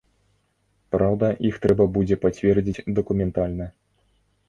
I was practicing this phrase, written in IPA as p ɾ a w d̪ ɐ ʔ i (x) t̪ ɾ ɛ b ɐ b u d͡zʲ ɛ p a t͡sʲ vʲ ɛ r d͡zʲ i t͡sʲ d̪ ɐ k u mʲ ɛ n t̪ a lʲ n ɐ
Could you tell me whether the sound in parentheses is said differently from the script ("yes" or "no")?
no